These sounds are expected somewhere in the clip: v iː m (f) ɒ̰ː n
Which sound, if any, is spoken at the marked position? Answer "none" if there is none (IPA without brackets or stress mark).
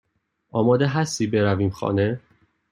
x